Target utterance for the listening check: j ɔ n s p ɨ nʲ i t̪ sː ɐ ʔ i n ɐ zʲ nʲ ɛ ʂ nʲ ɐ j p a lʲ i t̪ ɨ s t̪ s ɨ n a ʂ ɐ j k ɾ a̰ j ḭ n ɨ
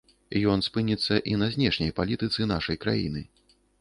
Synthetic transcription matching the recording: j ɔ n s p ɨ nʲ i t̪ sː ɐ ʔ i n ɐ zʲ nʲ ɛ ʂ nʲ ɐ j p a lʲ i t̪ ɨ t̪ s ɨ n a ʂ ɐ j k ɾ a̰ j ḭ n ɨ